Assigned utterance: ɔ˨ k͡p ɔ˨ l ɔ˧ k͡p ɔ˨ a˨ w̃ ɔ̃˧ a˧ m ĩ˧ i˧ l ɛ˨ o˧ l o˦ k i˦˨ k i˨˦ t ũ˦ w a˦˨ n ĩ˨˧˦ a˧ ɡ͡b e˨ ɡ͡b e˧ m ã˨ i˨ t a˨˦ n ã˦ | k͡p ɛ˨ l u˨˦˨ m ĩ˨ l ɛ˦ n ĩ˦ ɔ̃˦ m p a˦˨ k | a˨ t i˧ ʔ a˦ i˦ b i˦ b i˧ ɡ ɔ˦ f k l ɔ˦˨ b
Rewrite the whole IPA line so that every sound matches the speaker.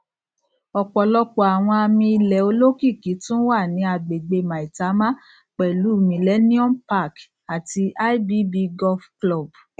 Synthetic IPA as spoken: ɔ˨ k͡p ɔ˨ l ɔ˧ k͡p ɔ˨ a˨ w̃ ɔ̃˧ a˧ m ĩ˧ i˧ l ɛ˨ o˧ l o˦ k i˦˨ k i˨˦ t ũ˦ w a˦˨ n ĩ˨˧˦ a˧ ɡ͡b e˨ ɡ͡b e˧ m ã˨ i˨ t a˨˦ m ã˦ | k͡p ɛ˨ l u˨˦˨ m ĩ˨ l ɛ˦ n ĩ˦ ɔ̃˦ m p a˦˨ k | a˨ t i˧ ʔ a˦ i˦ b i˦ b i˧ ɡ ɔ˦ f k l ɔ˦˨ b